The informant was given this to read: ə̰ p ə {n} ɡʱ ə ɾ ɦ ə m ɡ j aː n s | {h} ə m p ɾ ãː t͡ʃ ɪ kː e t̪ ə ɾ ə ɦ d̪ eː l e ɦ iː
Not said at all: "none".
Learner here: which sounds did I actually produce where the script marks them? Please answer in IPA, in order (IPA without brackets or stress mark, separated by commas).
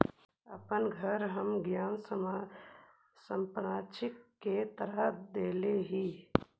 n, s